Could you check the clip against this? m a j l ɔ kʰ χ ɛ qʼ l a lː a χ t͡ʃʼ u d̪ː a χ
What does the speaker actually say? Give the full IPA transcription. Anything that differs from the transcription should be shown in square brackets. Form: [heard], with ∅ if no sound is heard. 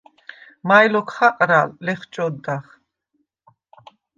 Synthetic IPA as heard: m a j l ɔ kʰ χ [a] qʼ [ɾ] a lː [ɛ] χ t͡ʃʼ [ɔ] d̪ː a χ